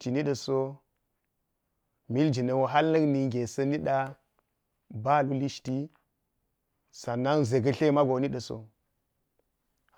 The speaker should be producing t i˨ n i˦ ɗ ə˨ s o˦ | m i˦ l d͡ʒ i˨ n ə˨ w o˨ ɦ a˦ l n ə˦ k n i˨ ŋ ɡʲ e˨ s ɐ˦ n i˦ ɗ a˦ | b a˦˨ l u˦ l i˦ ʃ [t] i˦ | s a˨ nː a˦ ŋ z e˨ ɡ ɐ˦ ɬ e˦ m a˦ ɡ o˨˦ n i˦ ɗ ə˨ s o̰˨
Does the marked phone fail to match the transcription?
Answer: no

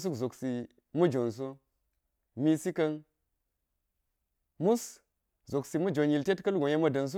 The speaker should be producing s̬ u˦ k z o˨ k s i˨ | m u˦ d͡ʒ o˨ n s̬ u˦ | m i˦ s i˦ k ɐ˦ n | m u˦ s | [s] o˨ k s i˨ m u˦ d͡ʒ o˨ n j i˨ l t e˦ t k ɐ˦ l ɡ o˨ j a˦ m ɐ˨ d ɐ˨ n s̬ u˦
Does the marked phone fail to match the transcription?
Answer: yes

